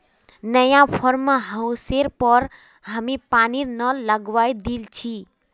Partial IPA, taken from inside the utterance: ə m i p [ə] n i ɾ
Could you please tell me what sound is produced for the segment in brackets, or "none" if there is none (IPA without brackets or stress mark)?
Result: a